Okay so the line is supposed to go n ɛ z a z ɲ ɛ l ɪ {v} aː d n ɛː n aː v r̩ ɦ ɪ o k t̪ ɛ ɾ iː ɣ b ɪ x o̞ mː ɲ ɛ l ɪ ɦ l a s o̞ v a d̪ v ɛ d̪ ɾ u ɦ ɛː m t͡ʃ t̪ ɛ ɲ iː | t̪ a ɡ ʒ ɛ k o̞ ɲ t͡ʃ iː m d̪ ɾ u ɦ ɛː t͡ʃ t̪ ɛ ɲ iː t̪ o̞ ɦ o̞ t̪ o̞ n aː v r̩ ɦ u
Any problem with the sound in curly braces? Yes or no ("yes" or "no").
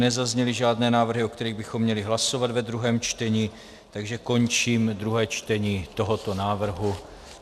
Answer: yes